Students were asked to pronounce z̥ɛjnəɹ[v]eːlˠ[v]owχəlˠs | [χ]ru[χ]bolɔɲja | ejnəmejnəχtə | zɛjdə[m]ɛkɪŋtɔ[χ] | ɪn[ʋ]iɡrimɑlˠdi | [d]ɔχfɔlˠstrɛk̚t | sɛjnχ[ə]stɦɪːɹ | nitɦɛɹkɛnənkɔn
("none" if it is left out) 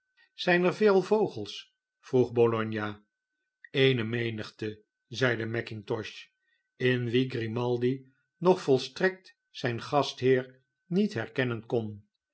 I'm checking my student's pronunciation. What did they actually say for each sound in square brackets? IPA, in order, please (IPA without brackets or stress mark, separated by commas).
v, v, f, χ, m, ʃ, ʋ, n, ɑ